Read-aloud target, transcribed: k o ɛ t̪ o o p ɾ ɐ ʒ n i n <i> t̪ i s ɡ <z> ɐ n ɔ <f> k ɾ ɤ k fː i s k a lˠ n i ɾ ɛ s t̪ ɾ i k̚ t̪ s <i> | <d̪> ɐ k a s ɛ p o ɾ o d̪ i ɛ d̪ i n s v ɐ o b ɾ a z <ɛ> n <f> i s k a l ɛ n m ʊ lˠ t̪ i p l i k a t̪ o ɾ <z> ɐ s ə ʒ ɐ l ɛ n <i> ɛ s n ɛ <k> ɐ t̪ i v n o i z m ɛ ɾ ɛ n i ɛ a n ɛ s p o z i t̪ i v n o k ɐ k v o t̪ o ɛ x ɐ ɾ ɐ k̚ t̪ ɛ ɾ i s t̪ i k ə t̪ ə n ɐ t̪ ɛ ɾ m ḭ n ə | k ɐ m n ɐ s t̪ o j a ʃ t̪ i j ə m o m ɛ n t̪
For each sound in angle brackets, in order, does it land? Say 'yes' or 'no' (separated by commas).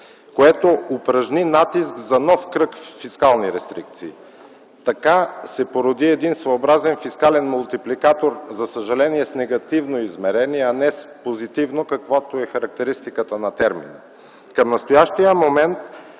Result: no, yes, yes, no, no, yes, yes, yes, yes, no